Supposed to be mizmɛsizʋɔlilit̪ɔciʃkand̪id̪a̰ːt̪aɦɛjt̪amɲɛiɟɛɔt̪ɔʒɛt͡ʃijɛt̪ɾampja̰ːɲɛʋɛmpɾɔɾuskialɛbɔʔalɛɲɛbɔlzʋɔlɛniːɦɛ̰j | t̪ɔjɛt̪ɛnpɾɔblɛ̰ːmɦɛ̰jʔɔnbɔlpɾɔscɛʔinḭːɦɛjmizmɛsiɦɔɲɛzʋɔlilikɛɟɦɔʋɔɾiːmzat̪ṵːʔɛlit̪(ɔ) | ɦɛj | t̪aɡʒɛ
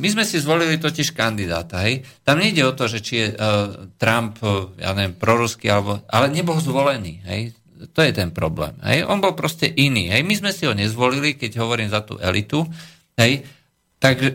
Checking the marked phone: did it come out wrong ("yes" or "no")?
yes